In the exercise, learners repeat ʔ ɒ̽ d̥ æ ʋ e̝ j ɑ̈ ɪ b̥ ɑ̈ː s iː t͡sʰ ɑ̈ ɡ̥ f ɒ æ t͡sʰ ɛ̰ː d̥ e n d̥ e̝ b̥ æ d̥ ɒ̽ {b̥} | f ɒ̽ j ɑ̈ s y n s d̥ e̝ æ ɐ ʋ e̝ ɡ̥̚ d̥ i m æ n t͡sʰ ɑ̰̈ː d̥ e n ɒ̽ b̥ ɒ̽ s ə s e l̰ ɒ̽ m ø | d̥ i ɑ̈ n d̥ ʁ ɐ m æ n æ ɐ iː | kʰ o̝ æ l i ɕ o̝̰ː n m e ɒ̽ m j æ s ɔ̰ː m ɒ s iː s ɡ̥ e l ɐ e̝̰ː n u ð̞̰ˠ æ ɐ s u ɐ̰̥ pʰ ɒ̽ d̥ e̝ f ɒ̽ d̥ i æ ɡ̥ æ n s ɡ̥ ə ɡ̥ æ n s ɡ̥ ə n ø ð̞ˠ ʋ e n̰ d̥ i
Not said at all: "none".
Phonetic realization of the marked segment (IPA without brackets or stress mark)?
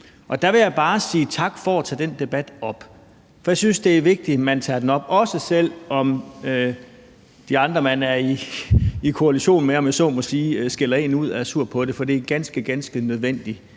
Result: b̥